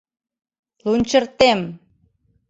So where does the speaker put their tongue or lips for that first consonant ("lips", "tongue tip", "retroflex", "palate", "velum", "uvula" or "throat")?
tongue tip